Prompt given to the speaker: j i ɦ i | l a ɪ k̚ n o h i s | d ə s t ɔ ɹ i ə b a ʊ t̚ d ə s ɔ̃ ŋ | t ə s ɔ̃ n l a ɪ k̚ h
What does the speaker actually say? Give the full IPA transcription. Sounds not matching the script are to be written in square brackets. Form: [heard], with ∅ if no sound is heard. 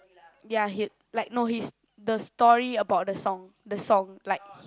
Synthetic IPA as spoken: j [a] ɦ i | l a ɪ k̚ n o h i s | d ə s t ɔ ɹ i ə b a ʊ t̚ d ə s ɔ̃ ŋ | [d] ə s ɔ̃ [ŋ] l a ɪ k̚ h